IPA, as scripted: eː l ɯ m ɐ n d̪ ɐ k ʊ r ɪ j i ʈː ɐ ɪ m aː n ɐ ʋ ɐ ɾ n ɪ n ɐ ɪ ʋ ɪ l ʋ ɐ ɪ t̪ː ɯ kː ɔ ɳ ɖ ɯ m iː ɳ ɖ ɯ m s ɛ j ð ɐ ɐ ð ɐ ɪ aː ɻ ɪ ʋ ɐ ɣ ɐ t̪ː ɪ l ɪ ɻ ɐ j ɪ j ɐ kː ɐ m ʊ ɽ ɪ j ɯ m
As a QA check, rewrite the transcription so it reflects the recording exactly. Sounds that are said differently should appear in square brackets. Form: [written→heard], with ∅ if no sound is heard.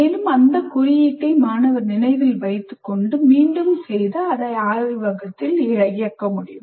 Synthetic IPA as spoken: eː l ɯ m ɐ n d̪ ɐ k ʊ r ɪ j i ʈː ɐ ɪ m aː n ɐ ʋ ɐ ɾ n ɪ n ɐ ɪ ʋ ɪ l ʋ ɐ ɪ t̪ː ɯ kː ɔ ɳ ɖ ɯ m iː ɳ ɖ ɯ m s ɛ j ð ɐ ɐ ð ɐ ɪ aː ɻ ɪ ʋ ɐ ɣ ɐ t̪ː ɪ l ɪ ɻ ɐ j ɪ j ɐ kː ɐ m ʊ ɽ ɪ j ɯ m

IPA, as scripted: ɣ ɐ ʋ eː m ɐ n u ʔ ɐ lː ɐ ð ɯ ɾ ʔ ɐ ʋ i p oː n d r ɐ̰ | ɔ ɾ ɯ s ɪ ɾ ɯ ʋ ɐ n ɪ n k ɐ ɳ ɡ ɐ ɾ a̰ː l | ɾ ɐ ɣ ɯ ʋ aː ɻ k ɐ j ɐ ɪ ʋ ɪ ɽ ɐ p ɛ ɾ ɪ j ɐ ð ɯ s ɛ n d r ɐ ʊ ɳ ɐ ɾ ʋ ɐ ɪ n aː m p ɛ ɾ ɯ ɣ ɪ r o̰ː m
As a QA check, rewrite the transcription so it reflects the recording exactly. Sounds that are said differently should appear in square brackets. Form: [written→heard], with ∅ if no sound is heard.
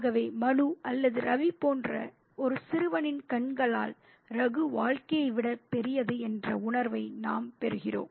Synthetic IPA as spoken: ɣ ɐ ʋ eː m ɐ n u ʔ ɐ lː ɐ ð ɯ ɾ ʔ ɐ ʋ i p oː n d r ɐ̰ | ɔ ɾ ɯ s ɪ ɾ ɯ ʋ ɐ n ɪ n k ɐ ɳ ɡ ɐ [ɾ→ɭ] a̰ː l | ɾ ɐ ɣ ɯ ʋ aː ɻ k ɐ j ɐ ɪ ʋ ɪ ɽ ɐ p ɛ ɾ ɪ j ɐ ð ɯ [s→∅] ɛ n d r ɐ ʊ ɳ ɐ ɾ ʋ ɐ ɪ n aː m p ɛ ɾ ɯ ɣ ɪ r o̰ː m

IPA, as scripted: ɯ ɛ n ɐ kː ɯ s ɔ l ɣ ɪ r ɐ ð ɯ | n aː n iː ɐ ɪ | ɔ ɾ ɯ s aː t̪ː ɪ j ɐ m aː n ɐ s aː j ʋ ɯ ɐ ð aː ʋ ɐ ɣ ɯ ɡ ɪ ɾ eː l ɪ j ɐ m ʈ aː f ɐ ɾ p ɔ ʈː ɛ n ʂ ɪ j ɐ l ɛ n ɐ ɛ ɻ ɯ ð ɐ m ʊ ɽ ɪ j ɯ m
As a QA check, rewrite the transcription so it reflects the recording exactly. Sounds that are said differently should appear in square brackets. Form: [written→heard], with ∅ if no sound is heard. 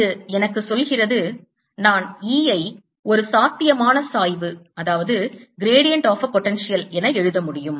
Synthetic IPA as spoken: ɯ ɛ n ɐ kː ɯ s ɔ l ɣ ɪ r ɐ ð ɯ | n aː n iː ɐ ɪ | ɔ ɾ ɯ s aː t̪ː ɪ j ɐ m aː n ɐ s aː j ʋ ɯ ɐ ð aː ʋ ɐ [ɣ→ð] ɯ ɡ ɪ ɾ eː [l→ɽ] ɪ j ɐ [m→ɳ] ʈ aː f ɐ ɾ p ɔ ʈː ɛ n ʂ ɪ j ɐ l ɛ n ɐ ɛ ɻ ɯ ð ɐ m ʊ ɽ ɪ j ɯ m

